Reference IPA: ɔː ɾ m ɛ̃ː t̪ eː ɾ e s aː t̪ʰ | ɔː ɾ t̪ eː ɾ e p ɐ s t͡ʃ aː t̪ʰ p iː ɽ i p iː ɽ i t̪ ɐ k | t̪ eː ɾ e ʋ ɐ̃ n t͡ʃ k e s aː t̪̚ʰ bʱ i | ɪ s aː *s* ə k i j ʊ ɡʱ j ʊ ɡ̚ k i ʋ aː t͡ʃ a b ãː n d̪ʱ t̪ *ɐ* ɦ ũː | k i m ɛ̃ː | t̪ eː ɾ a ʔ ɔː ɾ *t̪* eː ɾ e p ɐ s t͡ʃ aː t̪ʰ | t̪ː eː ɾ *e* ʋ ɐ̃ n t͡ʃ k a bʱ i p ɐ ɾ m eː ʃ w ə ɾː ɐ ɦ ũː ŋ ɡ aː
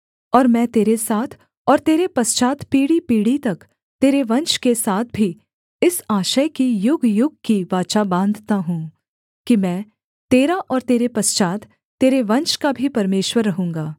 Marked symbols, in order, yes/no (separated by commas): no, no, yes, yes